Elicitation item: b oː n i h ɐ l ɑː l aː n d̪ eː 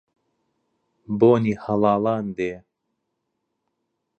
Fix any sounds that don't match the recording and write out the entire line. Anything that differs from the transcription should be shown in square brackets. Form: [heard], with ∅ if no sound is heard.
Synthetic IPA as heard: b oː n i h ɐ l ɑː l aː n d̪ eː